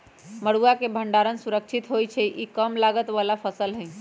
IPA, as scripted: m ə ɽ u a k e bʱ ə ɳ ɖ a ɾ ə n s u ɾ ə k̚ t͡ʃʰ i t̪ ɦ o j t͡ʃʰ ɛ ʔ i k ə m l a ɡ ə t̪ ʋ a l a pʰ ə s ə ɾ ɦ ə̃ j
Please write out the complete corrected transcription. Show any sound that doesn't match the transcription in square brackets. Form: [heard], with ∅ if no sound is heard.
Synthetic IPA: m ə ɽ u a k e bʱ ə ɳ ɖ a ɾ ə n s u ɾ ə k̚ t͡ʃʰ i t̪ ɦ o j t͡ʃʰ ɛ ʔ i k ə m l a ɡ ə t̪ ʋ a l a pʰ ə s ə [l] ɦ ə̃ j